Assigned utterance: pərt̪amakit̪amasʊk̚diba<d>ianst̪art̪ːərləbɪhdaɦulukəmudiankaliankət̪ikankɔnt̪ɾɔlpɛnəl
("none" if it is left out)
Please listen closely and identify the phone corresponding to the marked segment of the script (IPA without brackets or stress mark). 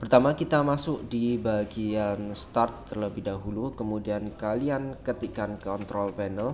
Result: ɡ